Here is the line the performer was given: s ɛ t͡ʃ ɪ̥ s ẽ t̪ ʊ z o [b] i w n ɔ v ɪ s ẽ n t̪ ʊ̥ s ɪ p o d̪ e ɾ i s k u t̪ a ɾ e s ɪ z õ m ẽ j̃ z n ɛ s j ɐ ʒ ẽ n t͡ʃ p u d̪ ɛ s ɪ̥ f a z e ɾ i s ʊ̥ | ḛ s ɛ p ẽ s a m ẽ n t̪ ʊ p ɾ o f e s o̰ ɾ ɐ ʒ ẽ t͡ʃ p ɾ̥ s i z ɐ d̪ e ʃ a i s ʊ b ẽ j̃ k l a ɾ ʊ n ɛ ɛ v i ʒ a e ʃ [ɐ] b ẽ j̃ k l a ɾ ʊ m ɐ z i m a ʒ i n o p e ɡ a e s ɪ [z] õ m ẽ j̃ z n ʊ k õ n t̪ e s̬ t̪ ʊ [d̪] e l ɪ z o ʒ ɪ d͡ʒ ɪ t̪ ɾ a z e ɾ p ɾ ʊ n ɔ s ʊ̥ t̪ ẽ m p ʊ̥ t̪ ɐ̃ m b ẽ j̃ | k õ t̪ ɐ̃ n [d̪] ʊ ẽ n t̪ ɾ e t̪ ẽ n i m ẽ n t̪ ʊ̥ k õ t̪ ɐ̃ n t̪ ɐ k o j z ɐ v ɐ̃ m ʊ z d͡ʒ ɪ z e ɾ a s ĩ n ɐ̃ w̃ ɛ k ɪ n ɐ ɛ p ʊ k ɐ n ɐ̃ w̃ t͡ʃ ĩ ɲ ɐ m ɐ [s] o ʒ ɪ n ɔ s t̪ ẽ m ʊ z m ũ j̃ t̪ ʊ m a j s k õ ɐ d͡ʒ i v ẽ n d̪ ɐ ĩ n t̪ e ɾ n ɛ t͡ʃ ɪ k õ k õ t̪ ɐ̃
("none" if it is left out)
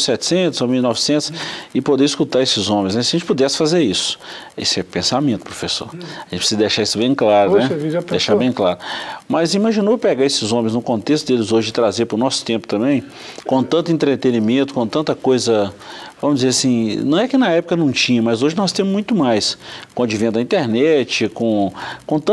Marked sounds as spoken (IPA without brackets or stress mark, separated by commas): m, a, z, d̪, t̪, z